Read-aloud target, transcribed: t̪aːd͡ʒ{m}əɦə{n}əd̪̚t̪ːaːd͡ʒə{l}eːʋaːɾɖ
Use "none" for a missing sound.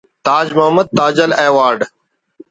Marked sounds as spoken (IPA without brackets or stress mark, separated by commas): m, m, l